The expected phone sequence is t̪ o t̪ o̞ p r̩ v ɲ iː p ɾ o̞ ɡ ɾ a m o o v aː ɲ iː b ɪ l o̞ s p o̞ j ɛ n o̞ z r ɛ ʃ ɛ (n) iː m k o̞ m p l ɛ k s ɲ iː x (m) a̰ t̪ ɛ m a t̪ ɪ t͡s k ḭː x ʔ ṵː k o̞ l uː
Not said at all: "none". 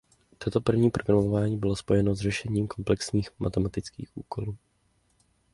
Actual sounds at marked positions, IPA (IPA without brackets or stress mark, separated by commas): ɲ, m